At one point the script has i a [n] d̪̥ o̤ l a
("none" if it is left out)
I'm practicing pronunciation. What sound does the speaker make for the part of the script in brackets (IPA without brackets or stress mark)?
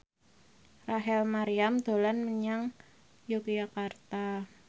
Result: m